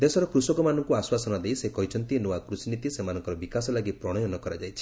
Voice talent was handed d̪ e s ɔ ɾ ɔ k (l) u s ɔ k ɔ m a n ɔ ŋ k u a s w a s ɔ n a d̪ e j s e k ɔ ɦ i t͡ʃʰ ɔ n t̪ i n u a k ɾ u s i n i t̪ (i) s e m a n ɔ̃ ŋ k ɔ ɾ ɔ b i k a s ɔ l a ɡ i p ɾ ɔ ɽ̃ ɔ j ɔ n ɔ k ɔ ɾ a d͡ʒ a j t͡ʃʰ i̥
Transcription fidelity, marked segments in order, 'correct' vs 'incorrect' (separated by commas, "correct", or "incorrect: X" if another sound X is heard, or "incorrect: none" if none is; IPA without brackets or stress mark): incorrect: ɾ, correct